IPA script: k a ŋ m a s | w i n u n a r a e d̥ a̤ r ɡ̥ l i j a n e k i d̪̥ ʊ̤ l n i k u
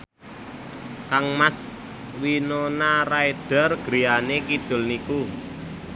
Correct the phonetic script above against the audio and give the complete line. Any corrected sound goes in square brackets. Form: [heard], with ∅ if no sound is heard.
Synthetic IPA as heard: k a ŋ m a s | w i n [o] n a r a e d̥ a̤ r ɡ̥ [ɾ] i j a n e k i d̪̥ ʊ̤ l n i k u